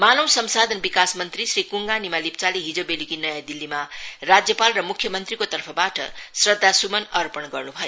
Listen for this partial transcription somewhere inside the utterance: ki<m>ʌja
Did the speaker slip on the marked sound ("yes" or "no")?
yes